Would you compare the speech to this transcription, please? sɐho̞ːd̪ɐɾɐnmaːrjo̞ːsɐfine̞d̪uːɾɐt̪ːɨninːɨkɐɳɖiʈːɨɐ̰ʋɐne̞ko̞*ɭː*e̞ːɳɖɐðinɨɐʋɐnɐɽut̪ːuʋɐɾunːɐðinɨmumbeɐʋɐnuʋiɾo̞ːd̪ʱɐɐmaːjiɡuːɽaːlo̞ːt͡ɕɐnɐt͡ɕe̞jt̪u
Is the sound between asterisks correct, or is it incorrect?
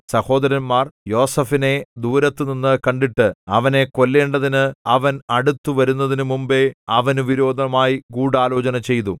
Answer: incorrect